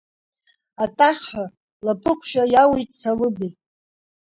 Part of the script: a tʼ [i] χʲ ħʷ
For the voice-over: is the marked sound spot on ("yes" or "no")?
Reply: no